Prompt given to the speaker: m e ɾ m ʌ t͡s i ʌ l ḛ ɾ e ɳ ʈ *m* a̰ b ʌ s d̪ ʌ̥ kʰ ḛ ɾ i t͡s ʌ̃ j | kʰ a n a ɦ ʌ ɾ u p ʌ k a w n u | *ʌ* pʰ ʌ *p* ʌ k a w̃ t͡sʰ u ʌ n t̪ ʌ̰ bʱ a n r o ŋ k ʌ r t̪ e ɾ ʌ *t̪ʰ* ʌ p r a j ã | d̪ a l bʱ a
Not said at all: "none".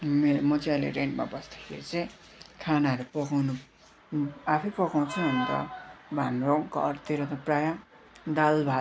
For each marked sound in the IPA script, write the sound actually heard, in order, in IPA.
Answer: m, a, p, t̪

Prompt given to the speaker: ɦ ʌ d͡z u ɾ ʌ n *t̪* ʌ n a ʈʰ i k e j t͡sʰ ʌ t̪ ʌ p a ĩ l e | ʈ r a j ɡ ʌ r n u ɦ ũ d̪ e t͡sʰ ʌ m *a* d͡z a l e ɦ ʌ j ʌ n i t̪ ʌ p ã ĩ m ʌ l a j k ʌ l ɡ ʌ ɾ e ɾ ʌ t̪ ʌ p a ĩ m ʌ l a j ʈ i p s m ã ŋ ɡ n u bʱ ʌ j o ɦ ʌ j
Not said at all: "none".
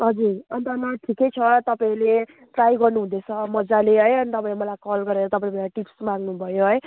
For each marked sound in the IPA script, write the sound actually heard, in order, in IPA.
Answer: t̪, ʌ

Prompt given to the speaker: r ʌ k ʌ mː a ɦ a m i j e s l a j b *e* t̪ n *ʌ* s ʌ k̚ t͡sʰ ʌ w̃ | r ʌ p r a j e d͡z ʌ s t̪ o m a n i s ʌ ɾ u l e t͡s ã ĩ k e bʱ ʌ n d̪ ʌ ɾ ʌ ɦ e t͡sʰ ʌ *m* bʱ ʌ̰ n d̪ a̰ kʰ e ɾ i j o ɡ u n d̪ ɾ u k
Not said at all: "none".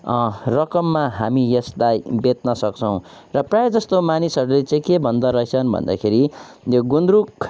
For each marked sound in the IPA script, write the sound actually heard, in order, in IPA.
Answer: e, ʌ, n

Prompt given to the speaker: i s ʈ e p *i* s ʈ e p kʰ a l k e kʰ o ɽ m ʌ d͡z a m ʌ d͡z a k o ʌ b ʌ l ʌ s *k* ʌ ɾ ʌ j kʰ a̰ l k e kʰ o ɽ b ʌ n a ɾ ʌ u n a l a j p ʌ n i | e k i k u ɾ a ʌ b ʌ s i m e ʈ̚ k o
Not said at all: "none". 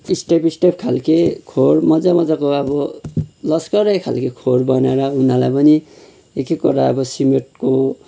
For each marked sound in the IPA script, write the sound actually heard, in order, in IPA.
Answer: i, k

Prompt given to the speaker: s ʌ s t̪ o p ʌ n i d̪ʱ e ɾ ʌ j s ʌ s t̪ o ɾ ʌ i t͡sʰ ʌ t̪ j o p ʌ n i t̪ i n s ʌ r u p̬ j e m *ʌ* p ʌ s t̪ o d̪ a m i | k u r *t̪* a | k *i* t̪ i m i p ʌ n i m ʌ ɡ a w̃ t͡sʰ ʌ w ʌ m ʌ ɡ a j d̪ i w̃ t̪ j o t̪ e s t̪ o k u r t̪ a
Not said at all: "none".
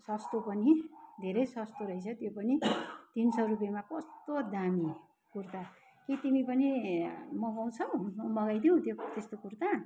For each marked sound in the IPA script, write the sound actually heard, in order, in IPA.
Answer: a, t̪, i

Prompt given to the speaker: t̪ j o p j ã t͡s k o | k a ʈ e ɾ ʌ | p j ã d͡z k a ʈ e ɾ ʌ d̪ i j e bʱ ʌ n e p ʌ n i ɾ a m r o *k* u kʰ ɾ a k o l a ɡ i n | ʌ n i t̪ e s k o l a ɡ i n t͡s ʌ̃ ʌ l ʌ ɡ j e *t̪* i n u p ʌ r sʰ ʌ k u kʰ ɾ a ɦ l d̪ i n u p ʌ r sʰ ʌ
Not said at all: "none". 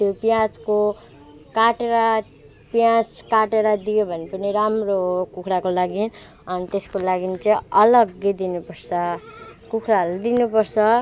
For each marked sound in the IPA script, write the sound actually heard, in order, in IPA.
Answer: k, d̪

